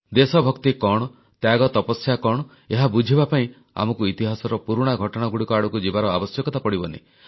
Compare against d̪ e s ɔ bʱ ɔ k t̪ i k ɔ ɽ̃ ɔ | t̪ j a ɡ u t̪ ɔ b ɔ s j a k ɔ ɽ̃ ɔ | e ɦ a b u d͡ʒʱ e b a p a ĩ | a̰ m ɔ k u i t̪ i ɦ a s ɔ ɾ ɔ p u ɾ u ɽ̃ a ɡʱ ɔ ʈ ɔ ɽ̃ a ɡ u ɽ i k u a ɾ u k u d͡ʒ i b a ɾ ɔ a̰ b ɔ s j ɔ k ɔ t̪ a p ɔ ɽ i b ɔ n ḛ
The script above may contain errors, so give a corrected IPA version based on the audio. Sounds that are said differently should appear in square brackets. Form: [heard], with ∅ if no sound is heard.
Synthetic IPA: d̪ e s ɔ bʱ ɔ k t̪ i k ɔ ɽ̃ ɔ | t̪ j a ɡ [ɔ] t̪ ɔ [p] ɔ s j a k ɔ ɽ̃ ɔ | e ɦ a b u d͡ʒʱ [i] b a p a ĩ | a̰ m ɔ k u i t̪ i ɦ a s ɔ ɾ ɔ p u ɾ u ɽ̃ a ɡʱ ɔ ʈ ɔ ɽ̃ a ɡ u ɽ i k [ɔ] a [ɽ] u k u d͡ʒ i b a ɾ ɔ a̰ b ɔ s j ɔ k ɔ t̪ a p ɔ ɽ i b ɔ n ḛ